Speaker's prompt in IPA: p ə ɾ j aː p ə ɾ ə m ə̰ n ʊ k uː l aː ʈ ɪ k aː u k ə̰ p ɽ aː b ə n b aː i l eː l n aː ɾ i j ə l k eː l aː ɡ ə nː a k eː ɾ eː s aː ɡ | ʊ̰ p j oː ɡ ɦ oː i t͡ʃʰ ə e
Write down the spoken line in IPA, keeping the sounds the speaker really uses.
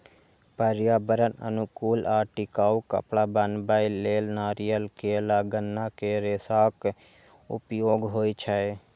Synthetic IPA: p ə ɾ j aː b ə ɾ ə n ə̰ n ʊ k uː l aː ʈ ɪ k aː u k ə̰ p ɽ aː b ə n b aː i l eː l n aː ɾ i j ə l k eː l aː ɡ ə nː a k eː ɾ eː s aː k | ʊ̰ p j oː ɡ ɦ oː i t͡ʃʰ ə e